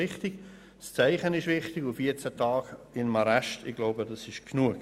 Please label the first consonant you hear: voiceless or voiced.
voiceless